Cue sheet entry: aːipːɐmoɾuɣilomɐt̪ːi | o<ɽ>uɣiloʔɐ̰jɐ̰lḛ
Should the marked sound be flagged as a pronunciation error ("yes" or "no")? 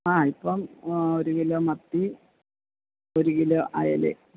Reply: yes